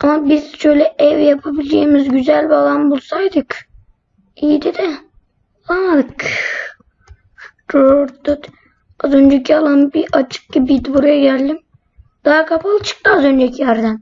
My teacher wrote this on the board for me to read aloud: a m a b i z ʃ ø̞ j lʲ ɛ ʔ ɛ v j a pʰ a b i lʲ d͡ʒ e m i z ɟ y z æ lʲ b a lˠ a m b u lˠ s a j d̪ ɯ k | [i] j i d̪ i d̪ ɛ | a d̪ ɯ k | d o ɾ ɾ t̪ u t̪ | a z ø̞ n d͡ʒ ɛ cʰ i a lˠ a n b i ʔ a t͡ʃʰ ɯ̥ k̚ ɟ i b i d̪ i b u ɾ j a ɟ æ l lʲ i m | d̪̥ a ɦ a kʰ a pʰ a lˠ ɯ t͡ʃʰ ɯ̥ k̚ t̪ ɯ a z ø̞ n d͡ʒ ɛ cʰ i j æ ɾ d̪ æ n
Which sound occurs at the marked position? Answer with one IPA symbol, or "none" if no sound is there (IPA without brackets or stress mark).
i